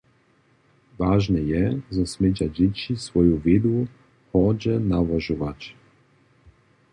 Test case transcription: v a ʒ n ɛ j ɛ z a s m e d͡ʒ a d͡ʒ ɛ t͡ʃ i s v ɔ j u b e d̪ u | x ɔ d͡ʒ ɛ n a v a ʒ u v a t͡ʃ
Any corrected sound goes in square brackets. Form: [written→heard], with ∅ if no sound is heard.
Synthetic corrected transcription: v a ʒ n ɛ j ɛ z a s m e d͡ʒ a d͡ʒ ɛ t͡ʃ i s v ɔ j u [b→v] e d̪ u | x ɔ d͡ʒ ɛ n a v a ʒ u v a t͡ʃ